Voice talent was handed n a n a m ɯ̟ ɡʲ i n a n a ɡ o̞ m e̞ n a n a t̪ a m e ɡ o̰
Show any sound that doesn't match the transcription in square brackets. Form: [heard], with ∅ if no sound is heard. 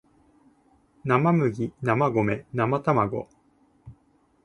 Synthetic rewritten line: n a [m] a m ɯ̟ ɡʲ i n a [m] a ɡ o̞ m e̞ n a [m] a t̪ a m [a] ɡ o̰

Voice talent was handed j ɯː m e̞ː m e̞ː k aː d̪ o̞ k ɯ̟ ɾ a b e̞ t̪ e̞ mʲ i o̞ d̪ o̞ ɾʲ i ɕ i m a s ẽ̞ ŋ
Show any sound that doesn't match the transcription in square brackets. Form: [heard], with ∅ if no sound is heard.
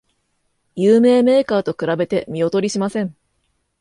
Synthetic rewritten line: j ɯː m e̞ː m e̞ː k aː [t̪] o̞ k ɯ̟ ɾ a b e̞ t̪ e̞ mʲ i o̞ [t̪] o̞ ɾʲ i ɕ i m a s ẽ̞ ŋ

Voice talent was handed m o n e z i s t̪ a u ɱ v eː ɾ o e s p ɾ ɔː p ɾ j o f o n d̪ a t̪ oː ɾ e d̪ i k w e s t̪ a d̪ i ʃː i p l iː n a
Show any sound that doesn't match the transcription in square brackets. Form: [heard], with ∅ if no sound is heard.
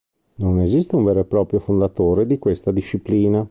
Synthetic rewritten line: [n] o n e z i s t̪ [e] u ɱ v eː ɾ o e [∅] p ɾ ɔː p ɾ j o f o n d̪ a t̪ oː ɾ e d̪ i k w e s t̪ a d̪ i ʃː i p l iː n a

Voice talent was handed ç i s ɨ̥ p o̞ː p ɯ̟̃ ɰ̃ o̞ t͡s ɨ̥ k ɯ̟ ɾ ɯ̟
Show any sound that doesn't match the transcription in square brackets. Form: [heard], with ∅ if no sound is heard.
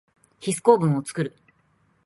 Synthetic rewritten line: ç i s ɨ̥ [k] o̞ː [b] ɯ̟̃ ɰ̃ o̞ t͡s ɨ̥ k ɯ̟ ɾ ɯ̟

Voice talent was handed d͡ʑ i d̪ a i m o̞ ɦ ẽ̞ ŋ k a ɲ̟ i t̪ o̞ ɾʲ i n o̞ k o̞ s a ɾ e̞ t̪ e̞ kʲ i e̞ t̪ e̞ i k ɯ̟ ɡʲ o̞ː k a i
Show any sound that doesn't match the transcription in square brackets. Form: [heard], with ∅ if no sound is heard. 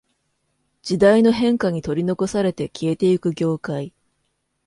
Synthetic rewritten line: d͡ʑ i d̪ a i [n] o̞ ɦ ẽ̞ ŋ k a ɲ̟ i t̪ o̞ ɾʲ i n o̞ k o̞ s a ɾ e̞ t̪ e̞ kʲ i e̞ t̪ e̞ i k ɯ̟ ɡʲ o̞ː k a i

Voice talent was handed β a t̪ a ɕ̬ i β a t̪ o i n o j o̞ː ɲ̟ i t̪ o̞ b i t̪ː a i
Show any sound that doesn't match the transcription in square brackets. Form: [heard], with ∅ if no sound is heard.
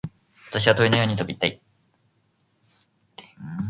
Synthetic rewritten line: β a t̪ a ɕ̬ i β a t̪ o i n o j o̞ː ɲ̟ i t̪ o̞ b i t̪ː a i

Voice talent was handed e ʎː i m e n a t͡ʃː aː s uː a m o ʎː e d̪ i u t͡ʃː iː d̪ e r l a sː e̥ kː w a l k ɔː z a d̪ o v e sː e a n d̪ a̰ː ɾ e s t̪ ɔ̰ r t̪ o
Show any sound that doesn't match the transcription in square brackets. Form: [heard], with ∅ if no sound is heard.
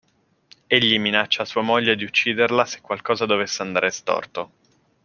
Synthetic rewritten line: e ʎː i m [i] n a t͡ʃː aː s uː a m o ʎː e d̪ i u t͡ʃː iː d̪ e r l a [s] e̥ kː w a l k ɔː z a d̪ o v e sː e a n d̪ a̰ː ɾ e s t̪ ɔ̰ r t̪ o

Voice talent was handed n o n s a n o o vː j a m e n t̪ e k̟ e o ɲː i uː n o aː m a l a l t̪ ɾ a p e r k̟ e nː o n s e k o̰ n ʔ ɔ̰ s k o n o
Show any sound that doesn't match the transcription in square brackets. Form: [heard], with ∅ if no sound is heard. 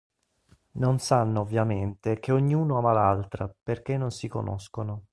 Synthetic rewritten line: n o n s a [nː] o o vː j a m e n t̪ e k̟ e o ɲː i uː n o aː m a l a l t̪ ɾ a p e r k̟ e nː o n s [i] k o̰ n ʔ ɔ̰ s k o n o

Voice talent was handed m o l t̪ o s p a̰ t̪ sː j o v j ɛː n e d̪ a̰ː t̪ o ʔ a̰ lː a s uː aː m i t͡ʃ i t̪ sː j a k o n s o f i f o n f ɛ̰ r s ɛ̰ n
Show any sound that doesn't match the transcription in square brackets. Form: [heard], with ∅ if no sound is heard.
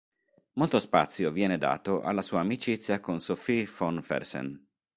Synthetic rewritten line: m o l t̪ o s p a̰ t̪ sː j o v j ɛː n e d̪ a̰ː t̪ o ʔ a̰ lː a s uː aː m i t͡ʃ i t̪ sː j a k o n s o f i f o n f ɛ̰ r s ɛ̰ n

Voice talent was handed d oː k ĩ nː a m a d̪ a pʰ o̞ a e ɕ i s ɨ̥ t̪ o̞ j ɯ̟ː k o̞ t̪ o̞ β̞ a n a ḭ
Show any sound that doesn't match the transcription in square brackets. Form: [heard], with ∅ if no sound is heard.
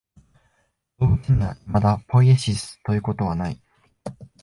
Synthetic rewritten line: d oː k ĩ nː a m a d̪ a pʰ o̞ [i] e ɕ i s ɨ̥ t̪ o̞ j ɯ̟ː k o̞ t̪ o̞ β̞ a n a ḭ

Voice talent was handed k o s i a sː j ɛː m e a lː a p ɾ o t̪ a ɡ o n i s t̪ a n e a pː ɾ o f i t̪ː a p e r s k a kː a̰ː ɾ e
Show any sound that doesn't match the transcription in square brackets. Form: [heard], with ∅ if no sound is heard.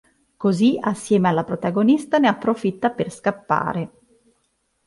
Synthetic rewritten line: k o [z] i a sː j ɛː m e a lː a p ɾ o t̪ a ɡ o n i s t̪ a n e a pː ɾ o f i t̪ː a p e r s k a [pː] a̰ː ɾ e

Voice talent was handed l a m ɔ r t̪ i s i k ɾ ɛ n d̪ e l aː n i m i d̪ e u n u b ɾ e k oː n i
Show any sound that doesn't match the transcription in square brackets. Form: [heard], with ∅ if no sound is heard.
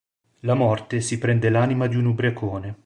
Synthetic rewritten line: l a m ɔ r t̪ [e] s i [p] ɾ ɛ n d̪ e l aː n i m [a] d̪ [i] u n u b ɾ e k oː n [e]

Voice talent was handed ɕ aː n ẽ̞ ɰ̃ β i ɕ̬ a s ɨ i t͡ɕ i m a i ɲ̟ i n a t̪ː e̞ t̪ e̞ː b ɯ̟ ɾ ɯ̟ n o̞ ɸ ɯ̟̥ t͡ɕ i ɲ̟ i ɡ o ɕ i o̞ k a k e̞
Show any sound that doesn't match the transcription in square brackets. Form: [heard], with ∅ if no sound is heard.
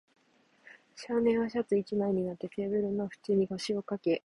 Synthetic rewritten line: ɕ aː n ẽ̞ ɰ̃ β [a] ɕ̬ a [t͡s] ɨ i t͡ɕ i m a i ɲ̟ i n a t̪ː e̞ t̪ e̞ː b ɯ̟ ɾ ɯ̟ n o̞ ɸ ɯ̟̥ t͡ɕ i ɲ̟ i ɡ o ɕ i o̞ k a k e̞

